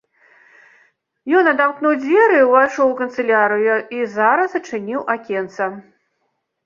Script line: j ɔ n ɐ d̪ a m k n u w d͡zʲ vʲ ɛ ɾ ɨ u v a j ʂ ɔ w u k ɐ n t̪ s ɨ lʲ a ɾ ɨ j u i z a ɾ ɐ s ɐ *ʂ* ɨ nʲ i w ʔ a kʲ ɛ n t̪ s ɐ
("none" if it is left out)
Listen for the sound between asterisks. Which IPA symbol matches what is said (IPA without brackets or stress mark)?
t͡ʂ